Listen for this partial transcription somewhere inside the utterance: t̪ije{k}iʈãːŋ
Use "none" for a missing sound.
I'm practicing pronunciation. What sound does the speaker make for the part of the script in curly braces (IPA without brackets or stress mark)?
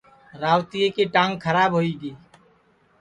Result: k